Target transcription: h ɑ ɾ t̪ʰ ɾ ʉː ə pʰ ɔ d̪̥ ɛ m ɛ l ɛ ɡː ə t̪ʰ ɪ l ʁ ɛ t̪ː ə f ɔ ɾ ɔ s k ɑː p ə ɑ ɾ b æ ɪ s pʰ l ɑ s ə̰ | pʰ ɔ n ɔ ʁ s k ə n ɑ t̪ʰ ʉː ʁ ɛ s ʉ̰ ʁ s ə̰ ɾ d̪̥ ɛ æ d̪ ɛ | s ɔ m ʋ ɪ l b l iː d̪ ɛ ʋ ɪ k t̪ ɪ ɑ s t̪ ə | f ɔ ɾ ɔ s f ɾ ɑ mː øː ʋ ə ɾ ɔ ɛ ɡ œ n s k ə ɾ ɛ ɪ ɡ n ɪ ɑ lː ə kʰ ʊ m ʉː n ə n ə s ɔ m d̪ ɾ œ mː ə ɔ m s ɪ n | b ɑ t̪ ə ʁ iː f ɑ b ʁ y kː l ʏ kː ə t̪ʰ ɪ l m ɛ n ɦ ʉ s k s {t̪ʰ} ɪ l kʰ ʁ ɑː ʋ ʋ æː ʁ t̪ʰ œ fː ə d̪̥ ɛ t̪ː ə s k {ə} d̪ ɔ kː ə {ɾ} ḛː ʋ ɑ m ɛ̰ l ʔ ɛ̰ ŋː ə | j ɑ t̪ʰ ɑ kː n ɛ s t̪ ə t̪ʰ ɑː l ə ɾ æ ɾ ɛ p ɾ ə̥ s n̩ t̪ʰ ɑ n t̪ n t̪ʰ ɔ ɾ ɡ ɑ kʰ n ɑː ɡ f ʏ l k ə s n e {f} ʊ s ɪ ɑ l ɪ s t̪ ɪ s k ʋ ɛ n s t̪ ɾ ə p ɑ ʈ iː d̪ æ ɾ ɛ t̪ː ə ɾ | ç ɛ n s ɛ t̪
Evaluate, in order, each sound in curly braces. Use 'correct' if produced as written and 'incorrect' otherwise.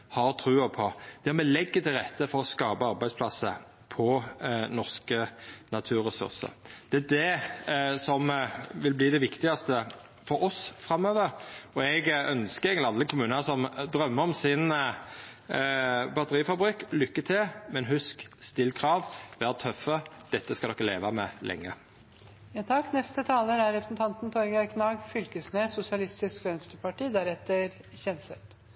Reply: incorrect, incorrect, incorrect, incorrect

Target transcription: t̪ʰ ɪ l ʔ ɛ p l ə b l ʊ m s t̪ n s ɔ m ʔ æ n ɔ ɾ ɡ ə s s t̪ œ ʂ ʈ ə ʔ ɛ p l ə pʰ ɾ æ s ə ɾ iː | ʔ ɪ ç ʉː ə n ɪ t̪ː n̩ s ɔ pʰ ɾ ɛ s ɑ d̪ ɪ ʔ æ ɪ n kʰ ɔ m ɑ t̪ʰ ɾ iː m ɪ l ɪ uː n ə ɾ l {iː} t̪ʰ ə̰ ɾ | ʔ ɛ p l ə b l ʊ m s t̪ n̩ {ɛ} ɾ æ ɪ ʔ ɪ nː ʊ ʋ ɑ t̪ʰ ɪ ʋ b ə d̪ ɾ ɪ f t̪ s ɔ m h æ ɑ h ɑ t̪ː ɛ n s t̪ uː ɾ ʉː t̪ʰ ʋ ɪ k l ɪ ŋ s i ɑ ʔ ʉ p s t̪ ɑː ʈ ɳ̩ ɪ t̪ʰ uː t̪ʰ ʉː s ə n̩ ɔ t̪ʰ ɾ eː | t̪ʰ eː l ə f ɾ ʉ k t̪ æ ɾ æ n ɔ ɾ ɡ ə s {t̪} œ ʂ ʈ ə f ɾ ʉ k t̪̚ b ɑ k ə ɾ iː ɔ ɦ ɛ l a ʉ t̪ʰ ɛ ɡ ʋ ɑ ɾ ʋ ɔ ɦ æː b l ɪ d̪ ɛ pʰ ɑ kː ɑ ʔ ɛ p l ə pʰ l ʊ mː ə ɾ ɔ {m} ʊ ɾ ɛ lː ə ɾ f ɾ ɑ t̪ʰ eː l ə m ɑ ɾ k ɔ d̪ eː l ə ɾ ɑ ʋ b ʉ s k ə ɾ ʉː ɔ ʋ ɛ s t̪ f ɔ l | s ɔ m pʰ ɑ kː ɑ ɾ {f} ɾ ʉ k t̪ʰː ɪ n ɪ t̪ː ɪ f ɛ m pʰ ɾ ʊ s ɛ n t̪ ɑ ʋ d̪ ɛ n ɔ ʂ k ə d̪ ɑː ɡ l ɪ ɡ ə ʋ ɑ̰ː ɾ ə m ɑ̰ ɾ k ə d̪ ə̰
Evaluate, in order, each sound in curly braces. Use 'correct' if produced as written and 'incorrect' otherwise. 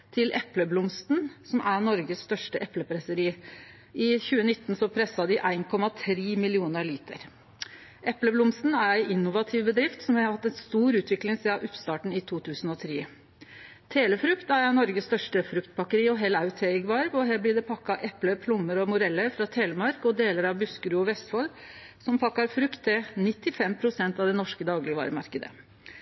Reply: correct, incorrect, correct, correct, correct

